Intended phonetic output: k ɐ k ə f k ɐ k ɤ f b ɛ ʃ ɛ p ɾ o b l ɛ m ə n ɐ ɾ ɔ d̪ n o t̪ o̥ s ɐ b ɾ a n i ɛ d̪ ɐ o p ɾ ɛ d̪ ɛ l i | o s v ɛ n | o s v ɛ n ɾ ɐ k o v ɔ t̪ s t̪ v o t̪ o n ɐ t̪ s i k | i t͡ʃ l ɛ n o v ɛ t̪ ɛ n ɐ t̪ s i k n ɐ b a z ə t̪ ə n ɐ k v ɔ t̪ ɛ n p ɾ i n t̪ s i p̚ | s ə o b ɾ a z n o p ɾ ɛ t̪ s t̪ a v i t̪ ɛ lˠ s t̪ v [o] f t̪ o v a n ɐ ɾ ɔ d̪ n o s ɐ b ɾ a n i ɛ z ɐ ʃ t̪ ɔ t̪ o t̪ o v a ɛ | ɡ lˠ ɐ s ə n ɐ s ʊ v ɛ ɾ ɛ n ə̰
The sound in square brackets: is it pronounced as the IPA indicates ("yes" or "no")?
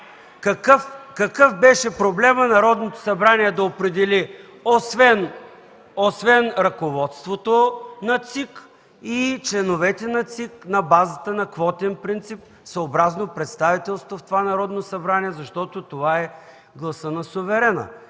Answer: yes